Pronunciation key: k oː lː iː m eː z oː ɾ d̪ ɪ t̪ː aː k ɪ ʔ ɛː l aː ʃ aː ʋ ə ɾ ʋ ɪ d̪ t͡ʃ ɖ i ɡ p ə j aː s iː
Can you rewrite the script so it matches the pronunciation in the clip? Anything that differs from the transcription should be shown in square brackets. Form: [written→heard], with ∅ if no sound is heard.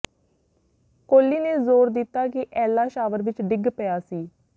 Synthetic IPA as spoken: k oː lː iː [m→n] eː z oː ɾ d̪ ɪ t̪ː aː k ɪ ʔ ɛː l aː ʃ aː ʋ ə ɾ ʋ ɪ [d̪→∅] t͡ʃ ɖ [i→ɪ] ɡ p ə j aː s iː